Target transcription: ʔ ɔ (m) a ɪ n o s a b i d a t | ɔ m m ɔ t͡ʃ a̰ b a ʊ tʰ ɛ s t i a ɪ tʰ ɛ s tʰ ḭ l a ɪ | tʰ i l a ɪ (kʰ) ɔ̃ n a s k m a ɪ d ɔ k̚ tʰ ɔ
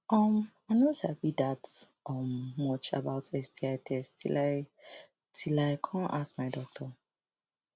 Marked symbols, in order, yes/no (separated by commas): yes, yes